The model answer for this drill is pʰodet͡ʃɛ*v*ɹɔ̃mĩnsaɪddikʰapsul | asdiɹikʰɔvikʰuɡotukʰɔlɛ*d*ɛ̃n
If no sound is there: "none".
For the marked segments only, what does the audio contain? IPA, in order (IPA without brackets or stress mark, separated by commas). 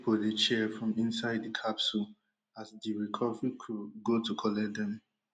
f, d